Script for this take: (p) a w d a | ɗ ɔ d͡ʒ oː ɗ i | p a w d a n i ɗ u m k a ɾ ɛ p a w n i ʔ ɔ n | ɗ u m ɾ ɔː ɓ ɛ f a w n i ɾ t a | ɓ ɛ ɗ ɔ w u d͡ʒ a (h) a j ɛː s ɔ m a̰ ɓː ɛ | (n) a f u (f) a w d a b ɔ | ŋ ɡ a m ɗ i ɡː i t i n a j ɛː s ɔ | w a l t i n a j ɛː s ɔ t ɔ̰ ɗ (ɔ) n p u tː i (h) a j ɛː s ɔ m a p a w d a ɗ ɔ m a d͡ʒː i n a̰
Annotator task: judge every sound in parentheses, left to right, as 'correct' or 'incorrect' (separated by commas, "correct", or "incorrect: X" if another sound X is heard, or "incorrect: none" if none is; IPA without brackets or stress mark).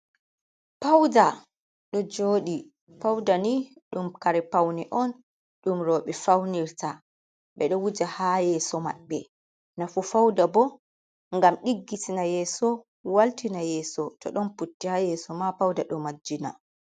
correct, correct, correct, correct, correct, correct